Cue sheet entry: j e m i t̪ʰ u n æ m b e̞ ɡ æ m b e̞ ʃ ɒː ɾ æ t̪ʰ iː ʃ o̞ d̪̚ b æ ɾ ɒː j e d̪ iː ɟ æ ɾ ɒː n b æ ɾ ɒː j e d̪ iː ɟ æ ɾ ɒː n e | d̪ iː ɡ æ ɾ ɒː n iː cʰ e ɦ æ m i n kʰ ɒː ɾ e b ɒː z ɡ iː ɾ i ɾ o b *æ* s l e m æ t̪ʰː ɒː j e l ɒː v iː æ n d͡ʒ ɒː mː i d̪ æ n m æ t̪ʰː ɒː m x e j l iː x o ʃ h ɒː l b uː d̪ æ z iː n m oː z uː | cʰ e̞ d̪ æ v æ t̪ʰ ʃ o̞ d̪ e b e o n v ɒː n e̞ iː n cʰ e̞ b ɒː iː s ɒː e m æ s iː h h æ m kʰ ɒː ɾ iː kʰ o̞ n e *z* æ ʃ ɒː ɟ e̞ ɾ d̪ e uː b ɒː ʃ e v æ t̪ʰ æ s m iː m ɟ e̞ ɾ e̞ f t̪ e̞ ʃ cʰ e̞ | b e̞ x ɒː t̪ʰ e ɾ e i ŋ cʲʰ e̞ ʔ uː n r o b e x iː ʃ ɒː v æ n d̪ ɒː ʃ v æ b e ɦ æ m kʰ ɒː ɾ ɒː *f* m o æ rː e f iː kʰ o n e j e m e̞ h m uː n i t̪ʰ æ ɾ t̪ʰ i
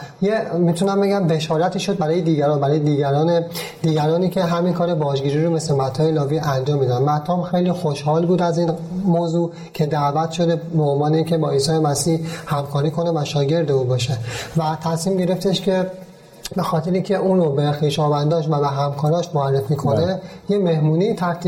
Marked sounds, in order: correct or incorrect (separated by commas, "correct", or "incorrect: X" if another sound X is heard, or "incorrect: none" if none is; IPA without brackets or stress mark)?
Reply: incorrect: e, incorrect: v, incorrect: ʃ